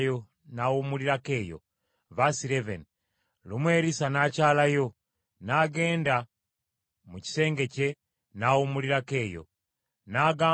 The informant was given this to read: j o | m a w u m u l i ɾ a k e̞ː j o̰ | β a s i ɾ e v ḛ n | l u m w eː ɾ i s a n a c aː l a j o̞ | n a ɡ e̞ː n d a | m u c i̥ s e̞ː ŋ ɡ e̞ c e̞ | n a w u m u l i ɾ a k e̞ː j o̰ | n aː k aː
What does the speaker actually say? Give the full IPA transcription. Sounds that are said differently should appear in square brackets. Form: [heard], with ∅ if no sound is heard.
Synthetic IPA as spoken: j o | [n] a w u m u l i ɾ a k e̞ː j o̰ | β a s i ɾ e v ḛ n | l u m w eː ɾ i s a n a c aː l a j o̞ | n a ɡ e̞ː n d a | m u c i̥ s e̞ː ŋ ɡ e̞ c e̞ | n a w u m u l i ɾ a k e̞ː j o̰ | n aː [ɡ] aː